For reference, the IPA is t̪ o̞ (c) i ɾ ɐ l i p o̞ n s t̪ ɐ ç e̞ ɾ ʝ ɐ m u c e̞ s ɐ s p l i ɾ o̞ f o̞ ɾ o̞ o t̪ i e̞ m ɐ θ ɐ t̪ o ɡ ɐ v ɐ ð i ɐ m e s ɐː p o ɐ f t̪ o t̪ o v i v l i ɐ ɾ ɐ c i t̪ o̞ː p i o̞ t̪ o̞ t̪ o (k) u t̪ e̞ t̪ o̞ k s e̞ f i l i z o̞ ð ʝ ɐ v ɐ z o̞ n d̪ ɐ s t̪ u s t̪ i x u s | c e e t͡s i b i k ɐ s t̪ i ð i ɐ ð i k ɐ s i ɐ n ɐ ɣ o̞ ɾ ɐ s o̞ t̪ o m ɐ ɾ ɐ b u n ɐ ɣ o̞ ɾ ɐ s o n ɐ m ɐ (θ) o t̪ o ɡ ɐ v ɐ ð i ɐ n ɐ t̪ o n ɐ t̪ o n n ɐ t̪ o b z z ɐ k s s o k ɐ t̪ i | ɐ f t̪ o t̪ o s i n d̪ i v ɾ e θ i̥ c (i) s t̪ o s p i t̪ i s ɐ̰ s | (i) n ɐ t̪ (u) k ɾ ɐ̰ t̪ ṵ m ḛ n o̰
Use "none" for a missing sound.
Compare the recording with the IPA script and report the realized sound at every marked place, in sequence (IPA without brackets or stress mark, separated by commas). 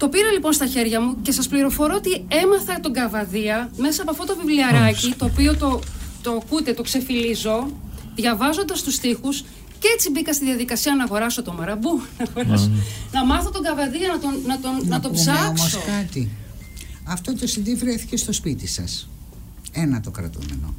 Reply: p, k, θ, e, e, o